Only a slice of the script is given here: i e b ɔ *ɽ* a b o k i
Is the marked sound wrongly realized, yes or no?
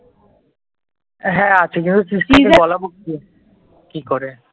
yes